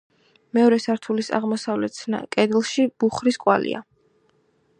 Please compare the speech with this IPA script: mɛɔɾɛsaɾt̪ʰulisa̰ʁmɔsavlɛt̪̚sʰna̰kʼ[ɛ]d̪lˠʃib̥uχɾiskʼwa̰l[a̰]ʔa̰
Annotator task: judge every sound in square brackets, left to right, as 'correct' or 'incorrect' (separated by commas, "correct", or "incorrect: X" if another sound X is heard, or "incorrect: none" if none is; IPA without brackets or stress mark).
correct, incorrect: ḭ